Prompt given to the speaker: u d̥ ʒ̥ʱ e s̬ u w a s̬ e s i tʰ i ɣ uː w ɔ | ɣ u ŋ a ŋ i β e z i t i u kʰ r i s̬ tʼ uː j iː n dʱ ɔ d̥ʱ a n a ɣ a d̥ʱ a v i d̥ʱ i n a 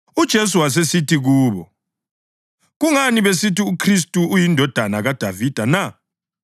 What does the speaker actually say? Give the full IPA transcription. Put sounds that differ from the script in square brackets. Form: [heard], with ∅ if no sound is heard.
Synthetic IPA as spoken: u d̥ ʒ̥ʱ e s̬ u w a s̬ e s i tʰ i ɣ uː [β] ɔ | ɣ u ŋ a [n] i β e [s] i t i u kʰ r i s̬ tʼ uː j [i] n dʱ ɔ d̥ʱ a n a ɣ a d̥ʱ a v i d̥ʱ [a] n a